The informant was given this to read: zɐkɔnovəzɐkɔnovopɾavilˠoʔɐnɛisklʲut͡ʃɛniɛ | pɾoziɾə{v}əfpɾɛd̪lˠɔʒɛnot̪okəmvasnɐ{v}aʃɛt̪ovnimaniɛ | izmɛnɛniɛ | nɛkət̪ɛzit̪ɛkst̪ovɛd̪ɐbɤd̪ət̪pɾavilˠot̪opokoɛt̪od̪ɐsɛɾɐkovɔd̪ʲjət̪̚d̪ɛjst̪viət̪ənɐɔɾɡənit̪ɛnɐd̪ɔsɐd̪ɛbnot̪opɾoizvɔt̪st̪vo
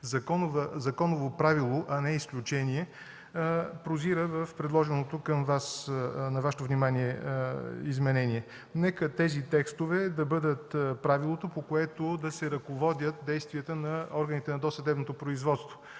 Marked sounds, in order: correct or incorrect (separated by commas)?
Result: correct, correct